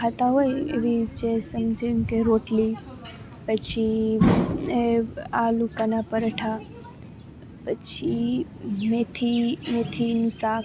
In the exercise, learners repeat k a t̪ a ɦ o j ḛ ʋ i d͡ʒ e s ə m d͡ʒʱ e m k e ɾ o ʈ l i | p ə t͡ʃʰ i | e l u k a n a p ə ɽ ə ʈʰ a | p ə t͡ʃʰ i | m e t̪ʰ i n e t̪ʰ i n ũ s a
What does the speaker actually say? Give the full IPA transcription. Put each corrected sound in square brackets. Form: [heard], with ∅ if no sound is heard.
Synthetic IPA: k a t̪ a ɦ o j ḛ ʋ i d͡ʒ e s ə m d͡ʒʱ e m k e ɾ o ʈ l i | p ə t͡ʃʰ i | [a] l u k a n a p ə [ɾ] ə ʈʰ a | p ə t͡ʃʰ i | m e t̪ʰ i [m] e t̪ʰ i n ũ s a

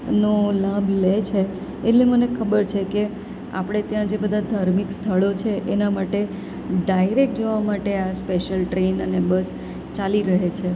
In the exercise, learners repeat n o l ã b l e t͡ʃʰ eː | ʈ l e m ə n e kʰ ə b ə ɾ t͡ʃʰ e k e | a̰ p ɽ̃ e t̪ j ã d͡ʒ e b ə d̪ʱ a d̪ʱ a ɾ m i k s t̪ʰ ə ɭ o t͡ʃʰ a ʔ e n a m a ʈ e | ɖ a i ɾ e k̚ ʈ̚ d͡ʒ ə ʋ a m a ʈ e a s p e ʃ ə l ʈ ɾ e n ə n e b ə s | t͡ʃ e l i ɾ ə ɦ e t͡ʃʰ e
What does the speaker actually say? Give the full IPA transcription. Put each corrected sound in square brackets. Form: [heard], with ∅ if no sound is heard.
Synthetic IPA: n o l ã b l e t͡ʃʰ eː | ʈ l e m ə n e kʰ ə b ə ɾ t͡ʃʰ e k e | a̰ p ɽ̃ e t̪ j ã d͡ʒ e b ə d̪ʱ a d̪ʱ a ɾ m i k s t̪ʰ ə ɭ o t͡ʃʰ [e] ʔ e n a m a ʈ e | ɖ a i ɾ e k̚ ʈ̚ d͡ʒ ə ʋ a m a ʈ e a s p e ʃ ə l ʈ ɾ e n ə n e b ə s | t͡ʃ [a] l i ɾ ə ɦ e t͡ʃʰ e

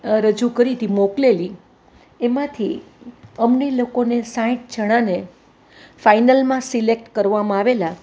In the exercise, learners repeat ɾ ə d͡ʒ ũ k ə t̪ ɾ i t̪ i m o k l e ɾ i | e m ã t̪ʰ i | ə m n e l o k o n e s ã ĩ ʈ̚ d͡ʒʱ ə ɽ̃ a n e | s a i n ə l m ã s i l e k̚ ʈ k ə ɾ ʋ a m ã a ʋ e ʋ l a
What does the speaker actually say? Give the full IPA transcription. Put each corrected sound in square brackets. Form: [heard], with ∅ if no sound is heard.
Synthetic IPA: ɾ ə d͡ʒ [u] k ə [∅] ɾ i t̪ i m o k l e [l] i | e m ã t̪ʰ i | ə m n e l o k o n e s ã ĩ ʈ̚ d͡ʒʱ ə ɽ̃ a n e | [f] a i n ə l m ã s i l e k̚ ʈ k ə ɾ ʋ a m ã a ʋ e [∅] l a

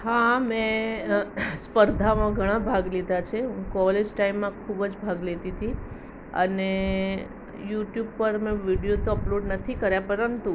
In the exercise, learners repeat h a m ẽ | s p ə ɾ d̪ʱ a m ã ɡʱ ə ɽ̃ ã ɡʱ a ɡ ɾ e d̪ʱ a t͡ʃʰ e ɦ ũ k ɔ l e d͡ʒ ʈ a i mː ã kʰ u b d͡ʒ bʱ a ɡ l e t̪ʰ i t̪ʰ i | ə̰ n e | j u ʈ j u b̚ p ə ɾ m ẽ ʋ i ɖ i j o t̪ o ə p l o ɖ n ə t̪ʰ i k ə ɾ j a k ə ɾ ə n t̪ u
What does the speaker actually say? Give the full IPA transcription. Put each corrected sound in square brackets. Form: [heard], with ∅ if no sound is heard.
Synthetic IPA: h a m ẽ | s p ə ɾ d̪ʱ a m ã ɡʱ ə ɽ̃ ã [bʱ] a ɡ [l] e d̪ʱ a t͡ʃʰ e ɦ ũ k ɔ l e d͡ʒ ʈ a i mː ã kʰ u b d͡ʒ bʱ a ɡ l e [t̪] i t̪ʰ i | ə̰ n e | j u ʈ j u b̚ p ə ɾ m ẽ ʋ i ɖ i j o t̪ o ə p l o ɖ n ə t̪ʰ i k ə ɾ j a [p] ə ɾ ə n t̪ u

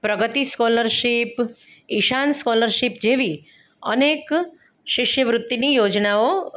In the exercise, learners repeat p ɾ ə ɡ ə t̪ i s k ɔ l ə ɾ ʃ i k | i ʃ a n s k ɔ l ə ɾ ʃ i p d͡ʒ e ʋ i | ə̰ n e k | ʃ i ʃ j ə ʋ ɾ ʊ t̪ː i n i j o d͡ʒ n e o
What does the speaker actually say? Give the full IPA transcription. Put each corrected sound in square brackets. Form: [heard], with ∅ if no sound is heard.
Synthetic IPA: p ɾ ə ɡ ə t̪ i s k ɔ l ə ɾ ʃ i [p] | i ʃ a n s k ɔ l ə ɾ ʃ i p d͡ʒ e ʋ i | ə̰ n e k | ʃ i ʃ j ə ʋ ɾ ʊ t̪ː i n i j o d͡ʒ n [a] o

